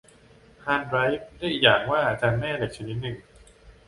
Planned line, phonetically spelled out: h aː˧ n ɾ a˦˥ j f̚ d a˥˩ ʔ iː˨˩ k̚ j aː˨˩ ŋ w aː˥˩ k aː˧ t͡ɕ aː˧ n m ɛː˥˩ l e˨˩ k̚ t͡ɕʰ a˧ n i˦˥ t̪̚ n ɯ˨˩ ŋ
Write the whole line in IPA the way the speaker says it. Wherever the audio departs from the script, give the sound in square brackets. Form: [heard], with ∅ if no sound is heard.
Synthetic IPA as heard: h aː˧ n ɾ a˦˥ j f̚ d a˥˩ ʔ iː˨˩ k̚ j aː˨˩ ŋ w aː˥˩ [ʔ] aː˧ t͡ɕ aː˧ n m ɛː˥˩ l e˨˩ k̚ t͡ɕʰ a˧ n i˦˥ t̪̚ n ɯ˨˩ ŋ